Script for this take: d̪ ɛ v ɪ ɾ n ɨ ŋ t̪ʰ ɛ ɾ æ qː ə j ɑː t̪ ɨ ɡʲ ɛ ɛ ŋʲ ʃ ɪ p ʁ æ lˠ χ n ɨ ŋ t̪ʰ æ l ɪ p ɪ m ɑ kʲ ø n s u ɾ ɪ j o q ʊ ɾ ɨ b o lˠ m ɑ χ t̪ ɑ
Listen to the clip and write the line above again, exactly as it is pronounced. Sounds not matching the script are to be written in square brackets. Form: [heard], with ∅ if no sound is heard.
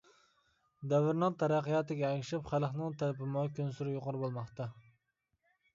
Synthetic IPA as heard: d̪ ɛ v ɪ ɾ n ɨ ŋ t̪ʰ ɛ ɾ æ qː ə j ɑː t̪ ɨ ɡʲ ɛ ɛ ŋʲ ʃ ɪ p [χ] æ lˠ χ n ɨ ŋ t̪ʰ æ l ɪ p ɪ m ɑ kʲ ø n s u ɾ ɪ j o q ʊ ɾ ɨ b o lˠ m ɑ χ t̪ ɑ